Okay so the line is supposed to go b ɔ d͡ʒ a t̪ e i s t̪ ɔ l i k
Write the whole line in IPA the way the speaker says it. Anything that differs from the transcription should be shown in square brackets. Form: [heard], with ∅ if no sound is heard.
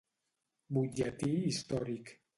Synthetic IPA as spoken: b [u] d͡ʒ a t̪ [i] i s t̪ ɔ [ɾ] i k